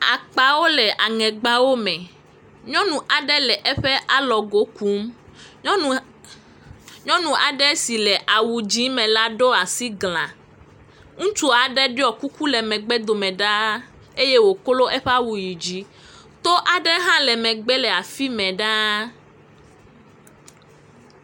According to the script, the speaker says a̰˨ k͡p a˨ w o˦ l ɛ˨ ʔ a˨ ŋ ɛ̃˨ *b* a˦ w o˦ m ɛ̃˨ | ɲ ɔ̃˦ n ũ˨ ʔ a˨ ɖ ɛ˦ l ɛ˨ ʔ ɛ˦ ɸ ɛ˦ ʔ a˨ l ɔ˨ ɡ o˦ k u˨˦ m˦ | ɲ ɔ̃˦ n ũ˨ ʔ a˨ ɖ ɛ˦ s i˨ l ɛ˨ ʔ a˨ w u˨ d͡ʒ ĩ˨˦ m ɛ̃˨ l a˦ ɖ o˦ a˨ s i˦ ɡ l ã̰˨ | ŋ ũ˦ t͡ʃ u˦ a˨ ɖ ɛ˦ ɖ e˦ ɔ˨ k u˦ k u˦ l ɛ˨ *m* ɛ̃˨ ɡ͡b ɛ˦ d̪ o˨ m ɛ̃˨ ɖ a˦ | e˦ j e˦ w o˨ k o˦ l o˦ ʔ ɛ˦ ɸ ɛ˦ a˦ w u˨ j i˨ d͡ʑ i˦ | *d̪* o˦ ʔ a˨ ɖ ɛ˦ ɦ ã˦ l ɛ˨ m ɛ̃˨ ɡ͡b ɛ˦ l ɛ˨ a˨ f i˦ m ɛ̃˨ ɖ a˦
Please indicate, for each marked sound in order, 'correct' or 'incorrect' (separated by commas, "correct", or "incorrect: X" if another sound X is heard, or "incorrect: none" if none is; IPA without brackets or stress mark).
incorrect: ɡ͡b, correct, incorrect: t̪